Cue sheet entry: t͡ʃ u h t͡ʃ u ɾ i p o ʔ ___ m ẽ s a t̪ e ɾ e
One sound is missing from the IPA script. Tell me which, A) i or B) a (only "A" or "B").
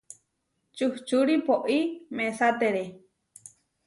A